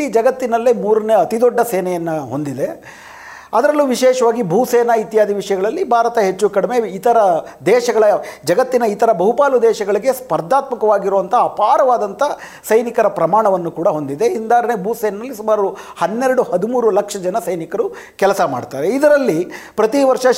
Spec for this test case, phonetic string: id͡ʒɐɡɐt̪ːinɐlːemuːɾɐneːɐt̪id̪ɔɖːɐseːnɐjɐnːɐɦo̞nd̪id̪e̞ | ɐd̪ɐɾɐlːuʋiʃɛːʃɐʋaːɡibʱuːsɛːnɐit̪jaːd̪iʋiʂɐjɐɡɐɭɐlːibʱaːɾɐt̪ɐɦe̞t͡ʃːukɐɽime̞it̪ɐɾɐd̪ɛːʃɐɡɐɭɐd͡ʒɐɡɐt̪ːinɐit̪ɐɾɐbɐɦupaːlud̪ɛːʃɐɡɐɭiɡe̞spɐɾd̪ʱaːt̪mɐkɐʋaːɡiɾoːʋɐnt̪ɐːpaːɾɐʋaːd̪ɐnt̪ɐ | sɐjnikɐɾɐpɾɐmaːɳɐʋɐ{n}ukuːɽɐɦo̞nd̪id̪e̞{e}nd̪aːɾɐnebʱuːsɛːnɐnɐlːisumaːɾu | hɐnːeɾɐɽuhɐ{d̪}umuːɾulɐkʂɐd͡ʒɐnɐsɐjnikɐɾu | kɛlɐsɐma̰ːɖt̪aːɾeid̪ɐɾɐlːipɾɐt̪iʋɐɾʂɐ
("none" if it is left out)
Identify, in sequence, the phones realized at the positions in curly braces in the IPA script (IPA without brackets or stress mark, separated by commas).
nː, i, d̪